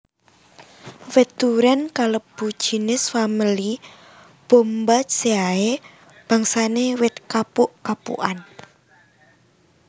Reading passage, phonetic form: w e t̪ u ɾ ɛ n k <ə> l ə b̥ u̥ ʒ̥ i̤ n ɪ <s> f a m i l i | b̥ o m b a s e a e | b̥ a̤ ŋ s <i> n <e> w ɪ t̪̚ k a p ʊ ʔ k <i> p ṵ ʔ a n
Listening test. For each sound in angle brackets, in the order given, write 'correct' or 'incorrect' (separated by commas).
incorrect, correct, incorrect, correct, incorrect